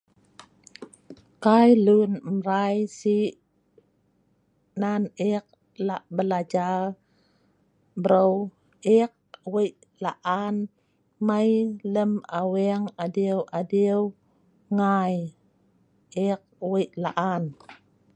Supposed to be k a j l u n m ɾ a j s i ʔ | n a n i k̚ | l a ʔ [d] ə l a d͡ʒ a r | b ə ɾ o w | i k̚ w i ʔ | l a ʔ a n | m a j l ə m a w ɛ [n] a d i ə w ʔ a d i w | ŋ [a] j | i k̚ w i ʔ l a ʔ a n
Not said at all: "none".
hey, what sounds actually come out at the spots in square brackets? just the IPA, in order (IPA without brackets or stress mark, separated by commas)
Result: b, ŋ, a